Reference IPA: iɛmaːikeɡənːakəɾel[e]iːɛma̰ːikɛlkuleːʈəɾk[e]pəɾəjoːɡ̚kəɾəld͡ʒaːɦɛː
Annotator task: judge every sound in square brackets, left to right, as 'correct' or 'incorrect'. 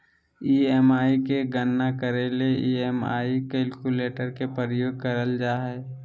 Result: correct, correct

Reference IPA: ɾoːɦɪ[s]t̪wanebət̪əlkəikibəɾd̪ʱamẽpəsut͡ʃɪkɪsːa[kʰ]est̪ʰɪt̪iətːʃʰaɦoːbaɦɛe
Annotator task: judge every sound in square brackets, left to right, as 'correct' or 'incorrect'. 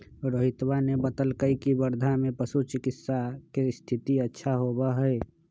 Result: incorrect: none, incorrect: k

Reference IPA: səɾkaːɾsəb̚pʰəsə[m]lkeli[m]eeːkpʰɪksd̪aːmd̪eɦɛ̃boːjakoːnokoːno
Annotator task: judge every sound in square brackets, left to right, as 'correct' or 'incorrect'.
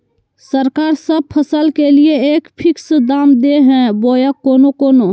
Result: incorrect: none, incorrect: none

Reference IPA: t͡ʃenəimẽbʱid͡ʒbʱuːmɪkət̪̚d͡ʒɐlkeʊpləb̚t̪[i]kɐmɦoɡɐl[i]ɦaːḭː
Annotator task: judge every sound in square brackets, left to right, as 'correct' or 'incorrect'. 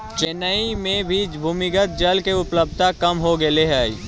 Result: incorrect: a, incorrect: e

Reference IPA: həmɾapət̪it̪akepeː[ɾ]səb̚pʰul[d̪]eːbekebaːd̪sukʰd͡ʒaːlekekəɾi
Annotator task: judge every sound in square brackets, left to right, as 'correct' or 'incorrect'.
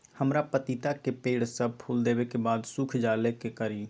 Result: incorrect: ɽ, correct

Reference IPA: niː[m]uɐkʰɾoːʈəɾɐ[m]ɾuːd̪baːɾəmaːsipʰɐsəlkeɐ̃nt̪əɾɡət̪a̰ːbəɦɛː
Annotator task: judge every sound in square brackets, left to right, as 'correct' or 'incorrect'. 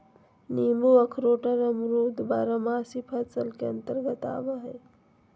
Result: correct, correct

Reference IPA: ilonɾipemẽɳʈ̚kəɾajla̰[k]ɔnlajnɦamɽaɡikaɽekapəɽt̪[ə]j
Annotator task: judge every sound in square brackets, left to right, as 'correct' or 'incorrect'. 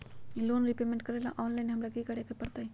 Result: incorrect: ʔ, incorrect: a

